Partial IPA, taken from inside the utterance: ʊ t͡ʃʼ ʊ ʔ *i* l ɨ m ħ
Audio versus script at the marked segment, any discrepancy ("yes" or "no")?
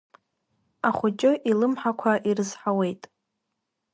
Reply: no